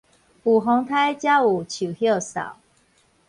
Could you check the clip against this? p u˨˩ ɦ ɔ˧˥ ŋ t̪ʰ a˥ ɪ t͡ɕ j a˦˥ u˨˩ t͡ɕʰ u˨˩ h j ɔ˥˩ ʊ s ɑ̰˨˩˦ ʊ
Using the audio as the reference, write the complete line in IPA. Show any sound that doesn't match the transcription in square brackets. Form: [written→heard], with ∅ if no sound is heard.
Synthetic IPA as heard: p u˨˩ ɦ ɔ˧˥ ŋ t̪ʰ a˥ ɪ t͡ɕ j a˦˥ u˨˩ t͡ɕʰ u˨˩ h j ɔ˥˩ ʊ s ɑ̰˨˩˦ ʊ